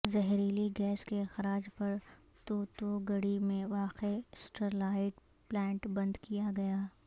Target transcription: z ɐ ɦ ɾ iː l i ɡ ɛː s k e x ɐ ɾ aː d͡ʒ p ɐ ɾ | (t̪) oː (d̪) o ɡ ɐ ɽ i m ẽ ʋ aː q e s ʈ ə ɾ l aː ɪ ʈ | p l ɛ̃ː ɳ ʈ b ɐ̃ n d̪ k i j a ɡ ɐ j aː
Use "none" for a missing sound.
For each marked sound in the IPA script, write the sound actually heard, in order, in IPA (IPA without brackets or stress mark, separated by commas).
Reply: t̪, t̪